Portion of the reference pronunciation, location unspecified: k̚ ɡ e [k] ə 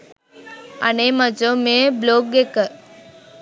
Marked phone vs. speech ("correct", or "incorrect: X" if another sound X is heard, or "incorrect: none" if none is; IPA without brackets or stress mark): correct